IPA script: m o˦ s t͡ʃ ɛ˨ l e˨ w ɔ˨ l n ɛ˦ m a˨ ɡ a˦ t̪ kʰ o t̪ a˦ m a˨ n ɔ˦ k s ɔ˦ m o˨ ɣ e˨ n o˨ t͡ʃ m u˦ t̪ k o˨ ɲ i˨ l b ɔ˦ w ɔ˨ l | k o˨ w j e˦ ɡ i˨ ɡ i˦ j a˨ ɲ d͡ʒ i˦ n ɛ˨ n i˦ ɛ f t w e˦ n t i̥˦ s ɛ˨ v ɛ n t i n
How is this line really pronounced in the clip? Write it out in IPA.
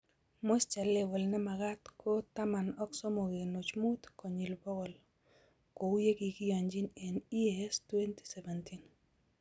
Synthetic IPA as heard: m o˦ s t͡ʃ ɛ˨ l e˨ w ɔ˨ l n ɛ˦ m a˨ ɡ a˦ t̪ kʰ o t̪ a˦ m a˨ n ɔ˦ k s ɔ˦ m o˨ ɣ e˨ n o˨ t͡ʃ m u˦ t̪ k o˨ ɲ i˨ l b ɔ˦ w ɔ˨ l | k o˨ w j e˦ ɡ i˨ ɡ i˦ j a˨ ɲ d͡ʒ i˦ n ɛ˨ n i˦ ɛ s t w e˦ n t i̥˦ s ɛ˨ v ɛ n t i n